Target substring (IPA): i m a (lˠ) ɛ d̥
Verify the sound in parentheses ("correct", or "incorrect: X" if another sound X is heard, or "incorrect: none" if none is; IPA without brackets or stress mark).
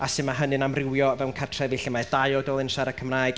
incorrect: none